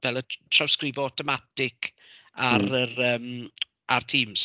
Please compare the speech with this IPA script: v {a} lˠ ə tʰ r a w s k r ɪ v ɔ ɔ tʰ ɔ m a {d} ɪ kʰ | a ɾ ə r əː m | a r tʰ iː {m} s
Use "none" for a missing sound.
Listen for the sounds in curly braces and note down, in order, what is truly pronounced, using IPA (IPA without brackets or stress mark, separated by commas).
ɛ, t, m